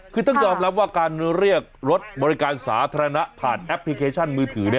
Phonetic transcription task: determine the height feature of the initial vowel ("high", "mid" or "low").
high